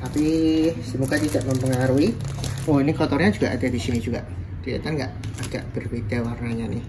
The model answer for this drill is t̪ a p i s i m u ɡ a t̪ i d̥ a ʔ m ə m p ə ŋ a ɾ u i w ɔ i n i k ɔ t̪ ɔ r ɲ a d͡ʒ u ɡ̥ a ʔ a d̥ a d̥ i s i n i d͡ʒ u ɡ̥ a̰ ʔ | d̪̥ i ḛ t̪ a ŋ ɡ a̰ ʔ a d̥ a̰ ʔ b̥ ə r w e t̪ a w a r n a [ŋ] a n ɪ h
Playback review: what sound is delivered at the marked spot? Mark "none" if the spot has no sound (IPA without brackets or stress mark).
ɲ